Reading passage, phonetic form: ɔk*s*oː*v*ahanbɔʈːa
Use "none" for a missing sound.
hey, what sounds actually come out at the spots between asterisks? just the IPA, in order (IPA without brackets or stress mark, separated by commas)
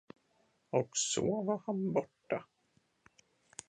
s, v